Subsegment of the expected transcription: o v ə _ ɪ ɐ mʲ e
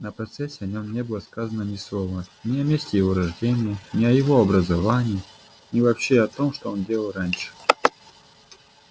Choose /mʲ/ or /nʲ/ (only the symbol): nʲ